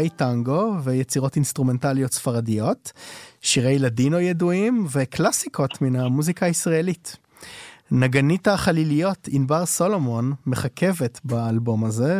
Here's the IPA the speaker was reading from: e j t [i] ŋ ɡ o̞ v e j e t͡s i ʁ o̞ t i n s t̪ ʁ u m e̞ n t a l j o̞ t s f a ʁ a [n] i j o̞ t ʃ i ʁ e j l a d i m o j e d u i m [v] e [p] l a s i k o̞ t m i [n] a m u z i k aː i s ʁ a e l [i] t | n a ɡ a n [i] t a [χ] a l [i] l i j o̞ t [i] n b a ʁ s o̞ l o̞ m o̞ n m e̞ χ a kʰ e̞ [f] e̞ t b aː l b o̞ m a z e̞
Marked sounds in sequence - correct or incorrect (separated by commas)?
incorrect, incorrect, correct, incorrect, correct, correct, correct, correct, correct, correct, incorrect